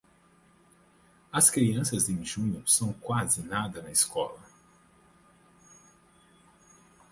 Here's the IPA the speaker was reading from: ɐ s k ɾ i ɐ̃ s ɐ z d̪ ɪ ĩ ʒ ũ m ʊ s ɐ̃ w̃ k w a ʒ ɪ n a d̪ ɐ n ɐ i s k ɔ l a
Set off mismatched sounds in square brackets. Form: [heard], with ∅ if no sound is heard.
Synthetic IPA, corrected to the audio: ɐ s k ɾ i ɐ̃ s ɐ z d̪ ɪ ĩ ʒ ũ [ɲ] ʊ s ɐ̃ w̃ k w a [z] ɪ n a d̪ ɐ n ɐ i s k ɔ l [ɐ]